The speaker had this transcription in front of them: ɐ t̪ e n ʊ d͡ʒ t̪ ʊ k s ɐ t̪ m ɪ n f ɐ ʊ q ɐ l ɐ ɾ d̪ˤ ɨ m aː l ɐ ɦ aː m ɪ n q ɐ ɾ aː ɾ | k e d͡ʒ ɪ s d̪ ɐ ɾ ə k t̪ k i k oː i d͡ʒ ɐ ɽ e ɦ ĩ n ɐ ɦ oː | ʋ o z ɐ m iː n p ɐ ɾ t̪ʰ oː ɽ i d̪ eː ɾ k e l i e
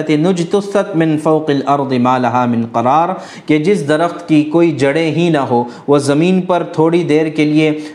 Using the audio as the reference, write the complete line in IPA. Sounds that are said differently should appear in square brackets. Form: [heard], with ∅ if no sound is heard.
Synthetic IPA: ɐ t̪ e n ʊ d͡ʒ t̪ ʊ [∅] s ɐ t̪ m ɪ n f ɐ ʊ q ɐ l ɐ ɾ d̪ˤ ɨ m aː l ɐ ɦ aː m ɪ n q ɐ ɾ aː ɾ | k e d͡ʒ ɪ s d̪ ɐ ɾ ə [x] t̪ k i k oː i d͡ʒ ɐ ɽ e ɦ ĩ n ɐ ɦ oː | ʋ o z ɐ m iː n p ɐ ɾ t̪ʰ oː ɽ i d̪ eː ɾ k e l i e